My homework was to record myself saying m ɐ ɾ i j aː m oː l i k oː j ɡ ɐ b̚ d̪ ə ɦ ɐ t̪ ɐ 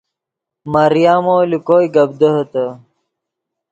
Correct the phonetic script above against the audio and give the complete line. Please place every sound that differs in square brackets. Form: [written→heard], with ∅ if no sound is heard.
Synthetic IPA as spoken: m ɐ ɾ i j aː m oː l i k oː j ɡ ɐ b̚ d̪ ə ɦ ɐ t̪ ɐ